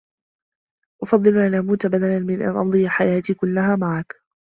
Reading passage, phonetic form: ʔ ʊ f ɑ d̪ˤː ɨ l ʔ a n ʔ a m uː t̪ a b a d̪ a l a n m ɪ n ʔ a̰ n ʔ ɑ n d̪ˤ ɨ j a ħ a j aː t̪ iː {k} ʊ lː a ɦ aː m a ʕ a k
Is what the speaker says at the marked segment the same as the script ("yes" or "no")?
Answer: yes